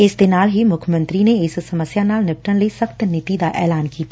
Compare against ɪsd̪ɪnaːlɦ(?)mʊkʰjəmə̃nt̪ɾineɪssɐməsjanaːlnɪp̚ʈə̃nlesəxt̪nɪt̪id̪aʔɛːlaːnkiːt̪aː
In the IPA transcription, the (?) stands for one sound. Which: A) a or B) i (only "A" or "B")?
B